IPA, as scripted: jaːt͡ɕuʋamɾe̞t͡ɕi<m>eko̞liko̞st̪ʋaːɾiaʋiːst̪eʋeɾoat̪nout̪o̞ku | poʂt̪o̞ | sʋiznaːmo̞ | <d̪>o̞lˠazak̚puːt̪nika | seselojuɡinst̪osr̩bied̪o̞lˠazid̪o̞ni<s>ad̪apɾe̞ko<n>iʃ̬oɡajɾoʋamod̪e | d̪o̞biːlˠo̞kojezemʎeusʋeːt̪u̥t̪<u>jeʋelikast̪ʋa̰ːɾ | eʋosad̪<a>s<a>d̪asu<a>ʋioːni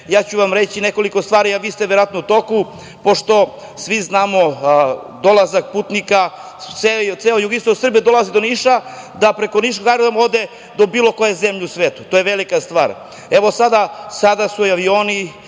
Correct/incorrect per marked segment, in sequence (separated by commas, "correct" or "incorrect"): incorrect, correct, incorrect, correct, incorrect, correct, correct, correct